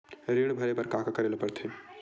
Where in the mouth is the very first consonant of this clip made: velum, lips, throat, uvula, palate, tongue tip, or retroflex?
tongue tip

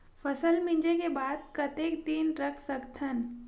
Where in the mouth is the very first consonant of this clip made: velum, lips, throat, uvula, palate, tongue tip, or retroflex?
lips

